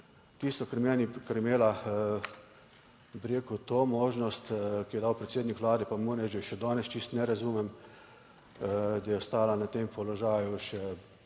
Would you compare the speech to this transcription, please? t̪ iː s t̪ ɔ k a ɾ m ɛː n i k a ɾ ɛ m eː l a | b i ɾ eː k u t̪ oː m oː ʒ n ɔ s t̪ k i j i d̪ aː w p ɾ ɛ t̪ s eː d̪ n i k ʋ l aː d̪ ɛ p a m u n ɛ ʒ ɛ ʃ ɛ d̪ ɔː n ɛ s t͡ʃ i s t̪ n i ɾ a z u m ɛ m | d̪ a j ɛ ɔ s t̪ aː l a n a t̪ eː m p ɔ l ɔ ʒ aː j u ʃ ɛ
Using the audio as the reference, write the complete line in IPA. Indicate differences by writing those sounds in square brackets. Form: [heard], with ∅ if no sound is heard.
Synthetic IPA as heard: t̪ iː s t̪ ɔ k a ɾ m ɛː n i k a ɾ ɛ m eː l a | b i ɾ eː k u t̪ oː m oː ʒ n ɔ s t̪ k i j [ɛ] d̪ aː w p ɾ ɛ t̪ s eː d̪ n i k ʋ l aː d̪ ɛ p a m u n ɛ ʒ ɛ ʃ ɛ d̪ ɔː n ɛ s t͡ʃ i s t̪ n [ɛ] ɾ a z u m ɛ m | d̪ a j ɛ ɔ s t̪ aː l a n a t̪ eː m p ɔ l ɔ ʒ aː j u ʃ ɛ